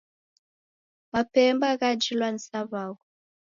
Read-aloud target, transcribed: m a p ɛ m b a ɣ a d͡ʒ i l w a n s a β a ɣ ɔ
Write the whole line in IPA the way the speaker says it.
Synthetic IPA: m a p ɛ m b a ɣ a d͡ʒ i l w a n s a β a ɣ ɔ